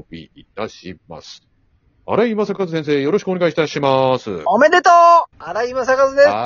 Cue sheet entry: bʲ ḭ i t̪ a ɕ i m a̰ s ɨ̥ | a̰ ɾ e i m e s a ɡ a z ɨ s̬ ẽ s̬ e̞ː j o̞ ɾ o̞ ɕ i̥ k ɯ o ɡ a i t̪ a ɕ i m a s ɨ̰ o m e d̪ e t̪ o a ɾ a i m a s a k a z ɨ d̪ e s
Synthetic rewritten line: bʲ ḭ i t̪ a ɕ i m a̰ s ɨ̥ | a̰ ɾ a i m a s a k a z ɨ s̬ ẽ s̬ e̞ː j o̞ ɾ o̞ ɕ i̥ k ɯ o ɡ a i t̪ a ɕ i m a s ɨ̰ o m e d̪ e t̪ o a ɾ a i m a s a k a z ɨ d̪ e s